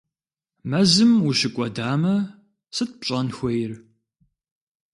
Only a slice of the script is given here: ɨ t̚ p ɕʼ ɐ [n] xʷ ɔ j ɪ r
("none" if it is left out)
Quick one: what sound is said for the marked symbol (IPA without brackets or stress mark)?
n